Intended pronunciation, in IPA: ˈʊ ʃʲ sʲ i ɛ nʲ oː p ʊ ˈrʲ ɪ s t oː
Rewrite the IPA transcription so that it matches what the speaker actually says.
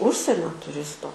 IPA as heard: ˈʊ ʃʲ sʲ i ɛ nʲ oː t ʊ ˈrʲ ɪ s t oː